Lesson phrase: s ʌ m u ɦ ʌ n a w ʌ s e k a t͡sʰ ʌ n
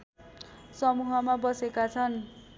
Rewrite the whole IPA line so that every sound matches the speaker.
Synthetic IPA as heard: s ʌ m u ɦ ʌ m a b ʌ s e k a t͡sʰ ʌ n